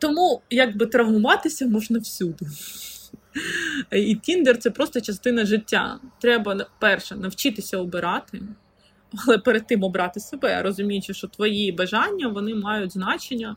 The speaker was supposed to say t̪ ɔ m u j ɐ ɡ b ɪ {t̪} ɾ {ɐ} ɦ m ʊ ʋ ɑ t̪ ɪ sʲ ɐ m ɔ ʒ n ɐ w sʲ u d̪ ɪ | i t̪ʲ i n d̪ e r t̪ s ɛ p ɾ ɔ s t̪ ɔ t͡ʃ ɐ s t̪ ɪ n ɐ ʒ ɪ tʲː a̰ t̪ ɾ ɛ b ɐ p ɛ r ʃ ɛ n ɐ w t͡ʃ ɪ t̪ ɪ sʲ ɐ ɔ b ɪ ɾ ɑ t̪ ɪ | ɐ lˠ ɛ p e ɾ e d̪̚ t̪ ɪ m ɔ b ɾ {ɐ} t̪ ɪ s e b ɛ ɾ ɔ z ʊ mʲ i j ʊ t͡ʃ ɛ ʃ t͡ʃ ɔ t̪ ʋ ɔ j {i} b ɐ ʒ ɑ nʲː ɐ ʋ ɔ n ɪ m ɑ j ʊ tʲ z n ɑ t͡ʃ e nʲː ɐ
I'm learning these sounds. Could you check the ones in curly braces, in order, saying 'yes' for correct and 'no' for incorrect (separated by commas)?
yes, yes, no, yes